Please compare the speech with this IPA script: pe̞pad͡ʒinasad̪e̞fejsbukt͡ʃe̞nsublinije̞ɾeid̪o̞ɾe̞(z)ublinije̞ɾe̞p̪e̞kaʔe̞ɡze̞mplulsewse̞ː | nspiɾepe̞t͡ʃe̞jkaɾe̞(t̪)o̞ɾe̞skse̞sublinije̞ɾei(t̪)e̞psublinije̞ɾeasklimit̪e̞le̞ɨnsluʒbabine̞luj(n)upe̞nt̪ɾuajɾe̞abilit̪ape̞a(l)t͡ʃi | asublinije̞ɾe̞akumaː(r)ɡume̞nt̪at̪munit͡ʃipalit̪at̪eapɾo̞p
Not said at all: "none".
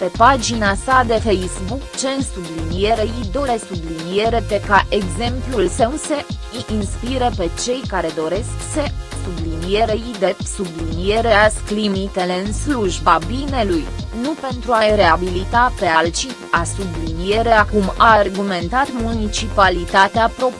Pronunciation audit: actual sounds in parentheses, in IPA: s, d̪, d̪, n, l, r

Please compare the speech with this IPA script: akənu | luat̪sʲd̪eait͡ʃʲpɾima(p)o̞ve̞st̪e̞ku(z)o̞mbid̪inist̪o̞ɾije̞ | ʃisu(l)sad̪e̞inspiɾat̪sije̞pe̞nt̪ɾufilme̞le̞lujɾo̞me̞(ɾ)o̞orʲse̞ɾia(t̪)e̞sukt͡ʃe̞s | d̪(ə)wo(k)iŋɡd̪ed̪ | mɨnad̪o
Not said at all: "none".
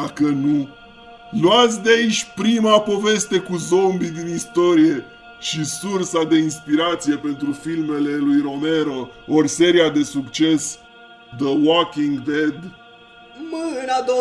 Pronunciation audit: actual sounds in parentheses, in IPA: p, z, r, ɾ, d̪, ə, k

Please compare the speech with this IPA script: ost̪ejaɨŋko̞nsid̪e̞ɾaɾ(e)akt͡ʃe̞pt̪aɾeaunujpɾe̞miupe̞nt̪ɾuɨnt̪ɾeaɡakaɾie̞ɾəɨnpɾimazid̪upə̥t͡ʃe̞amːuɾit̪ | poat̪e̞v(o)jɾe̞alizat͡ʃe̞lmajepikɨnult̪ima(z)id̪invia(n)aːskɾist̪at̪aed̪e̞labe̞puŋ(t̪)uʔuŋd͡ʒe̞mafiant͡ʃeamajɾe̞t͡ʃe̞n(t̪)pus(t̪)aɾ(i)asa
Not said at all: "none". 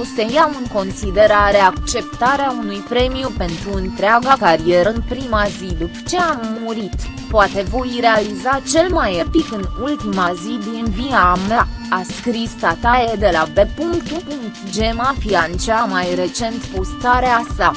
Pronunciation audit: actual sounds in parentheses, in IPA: e, o, z, m, t̪, t̪, t̪, e

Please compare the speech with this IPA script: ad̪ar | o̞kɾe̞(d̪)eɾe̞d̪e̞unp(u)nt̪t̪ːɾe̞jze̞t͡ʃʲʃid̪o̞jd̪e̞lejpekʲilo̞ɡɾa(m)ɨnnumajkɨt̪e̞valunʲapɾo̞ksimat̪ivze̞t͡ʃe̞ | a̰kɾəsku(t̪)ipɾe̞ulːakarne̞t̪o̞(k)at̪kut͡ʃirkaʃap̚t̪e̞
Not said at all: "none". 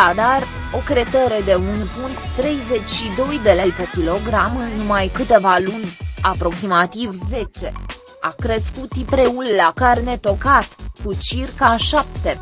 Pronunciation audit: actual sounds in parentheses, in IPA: t̪, u, m, t̪, k

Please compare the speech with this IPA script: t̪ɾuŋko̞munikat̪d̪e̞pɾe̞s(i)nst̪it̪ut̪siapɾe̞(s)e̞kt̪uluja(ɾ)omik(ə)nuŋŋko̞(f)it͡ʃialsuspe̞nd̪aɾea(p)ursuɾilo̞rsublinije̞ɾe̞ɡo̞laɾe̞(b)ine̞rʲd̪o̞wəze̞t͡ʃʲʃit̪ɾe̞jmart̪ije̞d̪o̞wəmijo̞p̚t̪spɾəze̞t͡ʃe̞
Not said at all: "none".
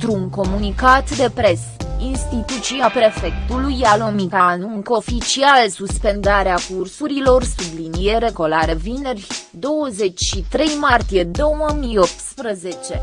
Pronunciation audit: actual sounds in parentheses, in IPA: i, f, l, a, f, k, v

